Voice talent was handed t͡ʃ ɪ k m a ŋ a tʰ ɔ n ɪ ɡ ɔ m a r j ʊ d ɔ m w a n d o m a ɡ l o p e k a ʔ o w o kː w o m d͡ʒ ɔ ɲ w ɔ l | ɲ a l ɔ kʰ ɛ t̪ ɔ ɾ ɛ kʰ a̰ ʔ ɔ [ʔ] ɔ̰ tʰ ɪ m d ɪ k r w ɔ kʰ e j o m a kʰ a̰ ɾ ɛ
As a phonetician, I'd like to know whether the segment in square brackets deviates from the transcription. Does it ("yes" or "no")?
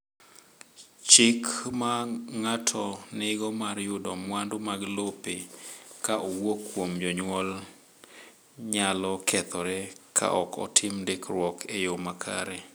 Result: yes